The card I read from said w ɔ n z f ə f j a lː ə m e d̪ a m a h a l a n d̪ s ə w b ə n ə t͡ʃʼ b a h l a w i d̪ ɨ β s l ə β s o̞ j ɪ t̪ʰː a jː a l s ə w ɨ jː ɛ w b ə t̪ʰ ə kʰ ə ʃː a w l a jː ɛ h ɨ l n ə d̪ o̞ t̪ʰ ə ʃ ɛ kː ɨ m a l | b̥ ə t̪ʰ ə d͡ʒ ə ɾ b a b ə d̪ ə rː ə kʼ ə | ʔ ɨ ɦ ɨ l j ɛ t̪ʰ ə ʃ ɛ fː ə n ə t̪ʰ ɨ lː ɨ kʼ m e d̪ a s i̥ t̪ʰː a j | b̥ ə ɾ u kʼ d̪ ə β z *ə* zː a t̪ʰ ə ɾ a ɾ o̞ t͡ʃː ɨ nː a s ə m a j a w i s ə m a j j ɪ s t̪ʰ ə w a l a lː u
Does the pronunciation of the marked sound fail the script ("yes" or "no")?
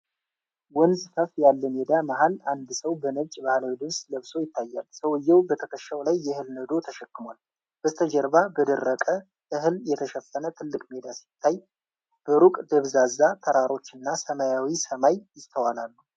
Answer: yes